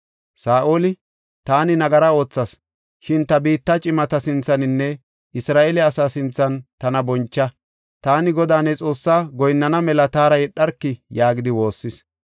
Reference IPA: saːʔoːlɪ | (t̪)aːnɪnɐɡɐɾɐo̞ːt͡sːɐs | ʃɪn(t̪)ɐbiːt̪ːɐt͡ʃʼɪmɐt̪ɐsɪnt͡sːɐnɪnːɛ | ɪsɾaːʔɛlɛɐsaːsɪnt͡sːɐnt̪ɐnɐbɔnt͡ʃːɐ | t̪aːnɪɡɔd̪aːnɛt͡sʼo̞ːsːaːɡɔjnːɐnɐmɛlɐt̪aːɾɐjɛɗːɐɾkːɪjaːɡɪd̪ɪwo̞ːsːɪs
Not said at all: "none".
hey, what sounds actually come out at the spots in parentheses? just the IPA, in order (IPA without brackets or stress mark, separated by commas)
t̪, t̪